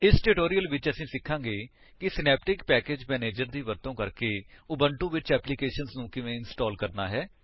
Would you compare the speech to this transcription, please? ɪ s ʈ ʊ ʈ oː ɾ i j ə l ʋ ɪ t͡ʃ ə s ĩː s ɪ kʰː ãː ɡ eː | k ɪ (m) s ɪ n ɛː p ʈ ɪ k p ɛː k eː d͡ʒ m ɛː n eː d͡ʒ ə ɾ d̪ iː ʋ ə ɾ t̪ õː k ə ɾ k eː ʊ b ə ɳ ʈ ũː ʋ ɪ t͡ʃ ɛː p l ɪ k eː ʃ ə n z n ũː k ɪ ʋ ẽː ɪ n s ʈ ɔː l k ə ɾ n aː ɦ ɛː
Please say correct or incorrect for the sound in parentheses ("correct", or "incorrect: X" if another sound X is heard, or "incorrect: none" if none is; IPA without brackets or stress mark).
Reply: incorrect: none